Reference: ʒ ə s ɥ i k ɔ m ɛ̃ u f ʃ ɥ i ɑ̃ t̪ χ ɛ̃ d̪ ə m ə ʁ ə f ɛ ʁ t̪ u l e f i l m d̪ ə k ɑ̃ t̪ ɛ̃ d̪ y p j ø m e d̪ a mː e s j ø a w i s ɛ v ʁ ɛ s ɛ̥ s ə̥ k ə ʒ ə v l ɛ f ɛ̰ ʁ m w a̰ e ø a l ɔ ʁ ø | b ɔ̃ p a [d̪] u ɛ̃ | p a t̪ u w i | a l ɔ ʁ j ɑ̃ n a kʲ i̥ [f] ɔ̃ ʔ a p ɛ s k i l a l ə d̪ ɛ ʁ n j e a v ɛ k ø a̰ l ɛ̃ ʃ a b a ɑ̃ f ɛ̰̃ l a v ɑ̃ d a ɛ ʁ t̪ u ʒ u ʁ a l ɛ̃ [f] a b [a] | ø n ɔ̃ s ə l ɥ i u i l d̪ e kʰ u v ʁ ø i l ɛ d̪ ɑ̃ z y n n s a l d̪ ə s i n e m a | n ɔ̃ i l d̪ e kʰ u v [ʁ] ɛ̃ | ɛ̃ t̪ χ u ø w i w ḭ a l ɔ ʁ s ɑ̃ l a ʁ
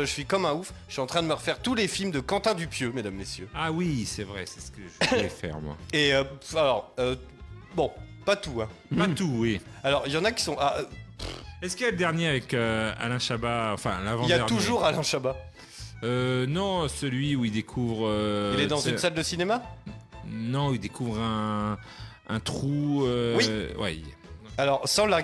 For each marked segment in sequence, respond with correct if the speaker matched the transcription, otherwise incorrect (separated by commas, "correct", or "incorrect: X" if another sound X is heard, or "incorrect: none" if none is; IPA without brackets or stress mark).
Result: incorrect: t̪, incorrect: s, incorrect: ʃ, correct, correct